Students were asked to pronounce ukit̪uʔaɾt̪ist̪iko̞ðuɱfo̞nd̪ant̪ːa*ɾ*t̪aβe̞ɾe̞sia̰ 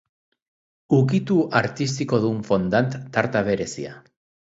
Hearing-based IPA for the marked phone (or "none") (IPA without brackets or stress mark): ɾ